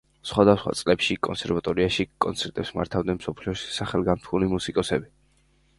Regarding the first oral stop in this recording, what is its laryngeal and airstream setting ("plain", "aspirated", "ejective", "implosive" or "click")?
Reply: plain